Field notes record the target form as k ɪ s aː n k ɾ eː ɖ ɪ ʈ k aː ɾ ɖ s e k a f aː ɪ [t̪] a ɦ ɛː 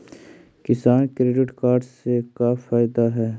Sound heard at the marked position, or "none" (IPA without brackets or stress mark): d̪